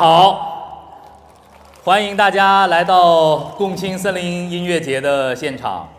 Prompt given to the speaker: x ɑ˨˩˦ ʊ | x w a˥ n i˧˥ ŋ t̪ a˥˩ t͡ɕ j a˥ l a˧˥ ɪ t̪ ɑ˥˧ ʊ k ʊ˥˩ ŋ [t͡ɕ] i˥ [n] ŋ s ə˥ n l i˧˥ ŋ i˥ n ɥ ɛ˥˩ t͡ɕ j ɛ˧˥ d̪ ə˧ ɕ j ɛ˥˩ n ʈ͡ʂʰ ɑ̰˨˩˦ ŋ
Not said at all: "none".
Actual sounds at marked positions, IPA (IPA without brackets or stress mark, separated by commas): t͡ɕʰ, none